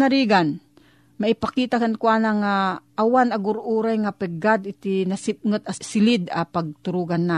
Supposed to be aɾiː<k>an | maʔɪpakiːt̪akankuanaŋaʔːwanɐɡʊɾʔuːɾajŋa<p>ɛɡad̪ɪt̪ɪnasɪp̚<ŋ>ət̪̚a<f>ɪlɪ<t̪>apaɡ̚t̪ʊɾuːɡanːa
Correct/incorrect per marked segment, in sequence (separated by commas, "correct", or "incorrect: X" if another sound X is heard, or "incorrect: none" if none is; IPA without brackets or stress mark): incorrect: ɡ, correct, correct, incorrect: s, incorrect: d̪